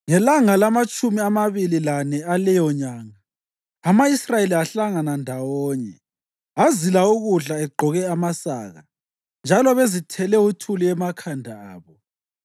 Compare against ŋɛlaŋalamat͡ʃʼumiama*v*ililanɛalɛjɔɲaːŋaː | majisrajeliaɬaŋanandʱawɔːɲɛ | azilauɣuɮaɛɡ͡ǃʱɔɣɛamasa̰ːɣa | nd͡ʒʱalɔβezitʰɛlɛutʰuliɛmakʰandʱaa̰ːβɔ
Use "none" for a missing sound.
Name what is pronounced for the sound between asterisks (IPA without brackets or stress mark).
β